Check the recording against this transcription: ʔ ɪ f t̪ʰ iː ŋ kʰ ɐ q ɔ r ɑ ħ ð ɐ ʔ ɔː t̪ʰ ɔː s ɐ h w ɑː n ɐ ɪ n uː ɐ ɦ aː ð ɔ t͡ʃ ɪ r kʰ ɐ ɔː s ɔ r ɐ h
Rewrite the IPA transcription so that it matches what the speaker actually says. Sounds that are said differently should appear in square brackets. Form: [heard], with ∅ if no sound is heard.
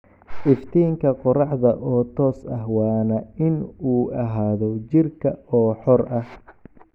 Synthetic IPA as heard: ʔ ɪ f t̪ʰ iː ŋ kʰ ɐ q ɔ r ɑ ħ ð ɐ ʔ ɔː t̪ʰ ɔː s ɐ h w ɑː n ɐ ɪ n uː ɐ ɦ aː ð ɔ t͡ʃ ɪ r kʰ ɐ ɔː [ħ] ɔ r ɐ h